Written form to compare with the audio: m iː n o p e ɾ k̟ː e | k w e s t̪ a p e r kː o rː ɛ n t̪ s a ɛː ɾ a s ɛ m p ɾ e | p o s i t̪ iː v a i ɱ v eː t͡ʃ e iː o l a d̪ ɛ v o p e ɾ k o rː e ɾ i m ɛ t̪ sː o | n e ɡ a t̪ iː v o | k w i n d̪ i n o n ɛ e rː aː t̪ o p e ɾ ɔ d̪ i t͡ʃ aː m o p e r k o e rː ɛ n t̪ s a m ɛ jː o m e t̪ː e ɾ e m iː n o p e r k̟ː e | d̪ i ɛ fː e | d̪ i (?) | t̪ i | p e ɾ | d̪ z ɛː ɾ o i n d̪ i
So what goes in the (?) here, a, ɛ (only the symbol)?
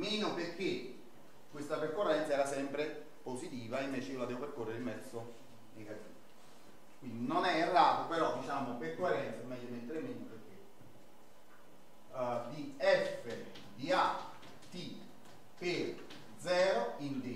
a